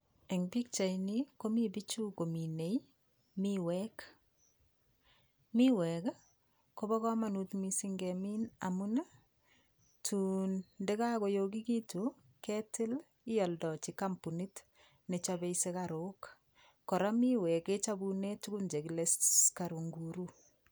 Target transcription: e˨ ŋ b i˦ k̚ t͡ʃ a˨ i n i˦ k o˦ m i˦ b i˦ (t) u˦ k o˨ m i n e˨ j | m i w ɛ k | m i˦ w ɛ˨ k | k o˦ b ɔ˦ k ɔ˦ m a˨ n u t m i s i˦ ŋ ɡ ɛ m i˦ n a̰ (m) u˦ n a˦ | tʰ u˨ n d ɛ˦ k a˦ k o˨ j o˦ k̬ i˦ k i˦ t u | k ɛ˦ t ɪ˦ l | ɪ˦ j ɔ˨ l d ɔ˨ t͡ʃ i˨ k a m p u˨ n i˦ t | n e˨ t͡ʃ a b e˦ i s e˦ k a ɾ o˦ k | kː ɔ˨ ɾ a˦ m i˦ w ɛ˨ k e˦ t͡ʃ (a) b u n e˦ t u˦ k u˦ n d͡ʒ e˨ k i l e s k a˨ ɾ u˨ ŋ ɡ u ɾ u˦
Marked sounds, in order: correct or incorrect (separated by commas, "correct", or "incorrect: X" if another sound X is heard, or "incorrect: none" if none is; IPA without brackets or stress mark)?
incorrect: t͡ʃ, correct, correct